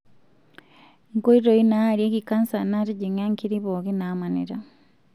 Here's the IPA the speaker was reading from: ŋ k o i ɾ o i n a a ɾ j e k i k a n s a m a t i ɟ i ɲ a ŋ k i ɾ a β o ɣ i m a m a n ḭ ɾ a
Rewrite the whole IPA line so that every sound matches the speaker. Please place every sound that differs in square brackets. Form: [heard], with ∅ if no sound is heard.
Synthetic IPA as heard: ŋ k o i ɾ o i n a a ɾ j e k i k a n s a [n] a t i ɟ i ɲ a ŋ k i ɾ [i] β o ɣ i [n] a m a n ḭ ɾ a